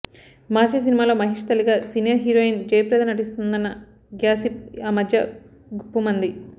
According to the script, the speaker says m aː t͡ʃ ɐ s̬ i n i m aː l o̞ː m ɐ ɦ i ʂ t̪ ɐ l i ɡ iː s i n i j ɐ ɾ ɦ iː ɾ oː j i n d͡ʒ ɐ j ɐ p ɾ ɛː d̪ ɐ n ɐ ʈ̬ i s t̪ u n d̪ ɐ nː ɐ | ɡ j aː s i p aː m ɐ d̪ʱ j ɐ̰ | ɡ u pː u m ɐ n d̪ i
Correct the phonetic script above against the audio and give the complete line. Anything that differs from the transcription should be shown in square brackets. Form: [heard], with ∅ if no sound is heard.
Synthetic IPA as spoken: m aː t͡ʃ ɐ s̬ i n i m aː l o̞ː m ɐ ɦ i ʂ t̪ ɐ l i ɡ [aː] s i n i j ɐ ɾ ɦ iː ɾ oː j i n d͡ʒ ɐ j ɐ p ɾ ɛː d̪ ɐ n ɐ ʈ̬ i s t̪ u n d̪ ɐ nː ɐ | ɡ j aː s i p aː m ɐ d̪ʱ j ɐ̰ | ɡ u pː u m ɐ n d̪ i